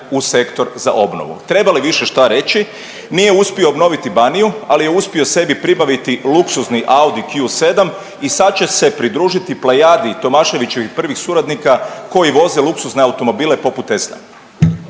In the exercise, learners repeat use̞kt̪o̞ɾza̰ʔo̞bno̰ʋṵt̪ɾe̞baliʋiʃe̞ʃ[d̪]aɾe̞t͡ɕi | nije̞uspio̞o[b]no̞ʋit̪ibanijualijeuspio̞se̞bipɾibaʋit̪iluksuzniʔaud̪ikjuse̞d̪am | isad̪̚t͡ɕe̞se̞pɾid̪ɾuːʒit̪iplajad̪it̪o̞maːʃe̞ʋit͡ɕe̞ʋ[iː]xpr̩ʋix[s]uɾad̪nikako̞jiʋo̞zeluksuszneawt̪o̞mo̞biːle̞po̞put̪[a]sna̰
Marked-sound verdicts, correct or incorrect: incorrect: t̪, correct, incorrect: i, correct, incorrect: e

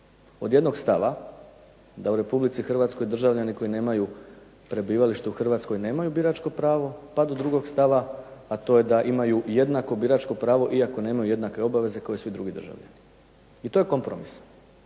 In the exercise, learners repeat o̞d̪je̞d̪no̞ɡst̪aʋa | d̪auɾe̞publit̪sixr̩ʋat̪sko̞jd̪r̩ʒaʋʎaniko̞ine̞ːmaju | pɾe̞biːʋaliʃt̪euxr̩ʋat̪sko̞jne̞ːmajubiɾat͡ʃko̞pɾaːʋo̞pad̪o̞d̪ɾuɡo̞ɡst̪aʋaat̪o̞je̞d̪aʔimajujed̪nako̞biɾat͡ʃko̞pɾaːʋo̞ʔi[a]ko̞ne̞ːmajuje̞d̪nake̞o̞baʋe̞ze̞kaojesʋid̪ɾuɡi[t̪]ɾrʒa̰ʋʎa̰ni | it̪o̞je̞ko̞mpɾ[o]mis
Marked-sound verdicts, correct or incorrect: correct, incorrect: d̪, correct

